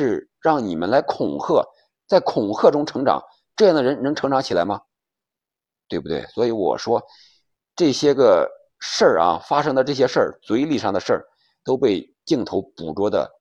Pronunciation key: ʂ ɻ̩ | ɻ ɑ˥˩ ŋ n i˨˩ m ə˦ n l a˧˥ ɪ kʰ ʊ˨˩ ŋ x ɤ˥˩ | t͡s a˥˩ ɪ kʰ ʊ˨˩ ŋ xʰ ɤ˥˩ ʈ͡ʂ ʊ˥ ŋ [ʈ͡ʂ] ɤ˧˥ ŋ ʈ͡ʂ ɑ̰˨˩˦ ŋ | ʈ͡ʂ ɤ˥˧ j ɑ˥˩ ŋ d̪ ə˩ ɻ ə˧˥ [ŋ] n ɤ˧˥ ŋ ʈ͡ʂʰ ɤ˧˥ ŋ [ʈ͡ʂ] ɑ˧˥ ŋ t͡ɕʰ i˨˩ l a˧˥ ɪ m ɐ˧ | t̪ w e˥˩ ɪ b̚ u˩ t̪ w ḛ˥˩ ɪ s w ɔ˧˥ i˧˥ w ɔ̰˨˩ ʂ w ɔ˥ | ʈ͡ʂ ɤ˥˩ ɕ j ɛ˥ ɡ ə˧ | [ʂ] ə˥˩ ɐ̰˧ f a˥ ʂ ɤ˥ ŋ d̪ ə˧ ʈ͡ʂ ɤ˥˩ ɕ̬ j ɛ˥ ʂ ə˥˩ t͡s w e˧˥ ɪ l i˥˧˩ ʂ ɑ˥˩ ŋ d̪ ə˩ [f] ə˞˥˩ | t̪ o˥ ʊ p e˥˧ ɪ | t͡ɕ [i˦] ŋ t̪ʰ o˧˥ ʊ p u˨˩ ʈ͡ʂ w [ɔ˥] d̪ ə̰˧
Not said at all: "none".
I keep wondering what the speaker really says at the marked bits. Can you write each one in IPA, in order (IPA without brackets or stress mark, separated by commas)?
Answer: ʈ͡ʂʰ, n, ʈ͡ʂ, ʂ, ʂ, i˥˩, ɔ˥